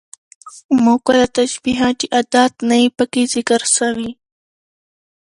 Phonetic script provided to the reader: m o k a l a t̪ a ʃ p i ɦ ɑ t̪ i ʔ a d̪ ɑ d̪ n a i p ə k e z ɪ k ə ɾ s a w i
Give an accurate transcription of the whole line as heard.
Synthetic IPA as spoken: m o k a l a t̪ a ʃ b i ɦ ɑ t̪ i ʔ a d̪ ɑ t̪ n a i p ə k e z ɪ k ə ɾ s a w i